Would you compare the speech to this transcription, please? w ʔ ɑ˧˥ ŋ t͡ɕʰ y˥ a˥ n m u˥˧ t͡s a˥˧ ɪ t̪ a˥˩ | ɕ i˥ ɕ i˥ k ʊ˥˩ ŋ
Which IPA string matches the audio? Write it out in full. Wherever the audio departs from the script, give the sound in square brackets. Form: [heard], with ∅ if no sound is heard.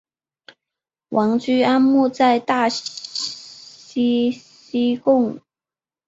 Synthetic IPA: w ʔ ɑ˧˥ ŋ [t͡ɕ] y˥ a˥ n m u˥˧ t͡s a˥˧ ɪ t̪ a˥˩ | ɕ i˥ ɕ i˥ k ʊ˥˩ ŋ